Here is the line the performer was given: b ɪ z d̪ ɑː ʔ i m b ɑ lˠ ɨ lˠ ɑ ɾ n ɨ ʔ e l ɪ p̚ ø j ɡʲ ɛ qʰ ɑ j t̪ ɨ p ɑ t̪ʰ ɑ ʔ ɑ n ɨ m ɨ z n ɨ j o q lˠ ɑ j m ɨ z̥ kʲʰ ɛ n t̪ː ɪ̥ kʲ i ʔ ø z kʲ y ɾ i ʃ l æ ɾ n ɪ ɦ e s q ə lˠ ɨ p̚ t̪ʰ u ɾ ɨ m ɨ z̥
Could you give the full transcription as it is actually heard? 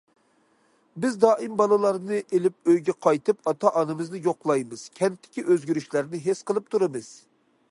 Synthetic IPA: b ɪ z d̪ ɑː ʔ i m b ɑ lˠ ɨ lˠ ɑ ɾ n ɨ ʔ e l ɪ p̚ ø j ɡʲ ɛ qʰ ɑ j t̪ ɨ p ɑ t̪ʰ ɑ ʔ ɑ n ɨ m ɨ z n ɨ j o q lˠ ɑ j m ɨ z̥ kʲʰ ɛ n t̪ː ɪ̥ kʲ i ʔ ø z ɡʲ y ɾ y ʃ l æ ɾ n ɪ ɦ e s q ə lˠ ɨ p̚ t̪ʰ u ɾ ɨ m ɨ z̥